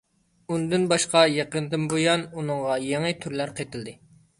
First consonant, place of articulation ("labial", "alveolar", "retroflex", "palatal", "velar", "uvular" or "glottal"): alveolar